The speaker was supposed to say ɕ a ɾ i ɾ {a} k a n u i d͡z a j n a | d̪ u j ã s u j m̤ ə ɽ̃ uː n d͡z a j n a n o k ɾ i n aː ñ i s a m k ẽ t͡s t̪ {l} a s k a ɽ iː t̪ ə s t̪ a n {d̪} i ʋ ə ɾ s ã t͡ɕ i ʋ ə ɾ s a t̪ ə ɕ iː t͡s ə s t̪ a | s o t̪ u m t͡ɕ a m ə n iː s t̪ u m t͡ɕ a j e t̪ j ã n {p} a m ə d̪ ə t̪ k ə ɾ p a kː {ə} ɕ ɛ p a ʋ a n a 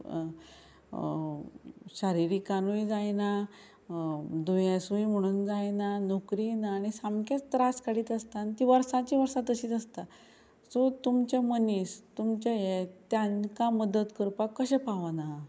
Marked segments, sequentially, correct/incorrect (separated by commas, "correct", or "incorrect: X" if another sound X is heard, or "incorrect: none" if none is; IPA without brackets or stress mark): incorrect: i, incorrect: ɾ, incorrect: t̪, incorrect: k, correct